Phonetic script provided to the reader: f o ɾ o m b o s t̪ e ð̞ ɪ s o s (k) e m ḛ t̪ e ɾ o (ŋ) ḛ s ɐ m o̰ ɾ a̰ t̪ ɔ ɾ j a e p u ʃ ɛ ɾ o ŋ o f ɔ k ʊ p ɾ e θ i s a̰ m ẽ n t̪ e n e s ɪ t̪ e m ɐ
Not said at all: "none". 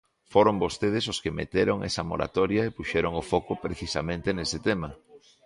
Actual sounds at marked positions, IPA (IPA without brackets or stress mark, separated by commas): k, ŋ